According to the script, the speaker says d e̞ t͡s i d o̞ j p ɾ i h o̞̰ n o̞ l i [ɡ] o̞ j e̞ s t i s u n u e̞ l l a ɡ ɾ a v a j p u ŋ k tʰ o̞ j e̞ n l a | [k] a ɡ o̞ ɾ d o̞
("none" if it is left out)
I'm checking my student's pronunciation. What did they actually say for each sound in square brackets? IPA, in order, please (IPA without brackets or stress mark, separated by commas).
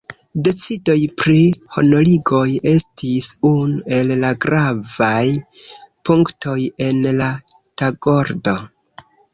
ɡ, t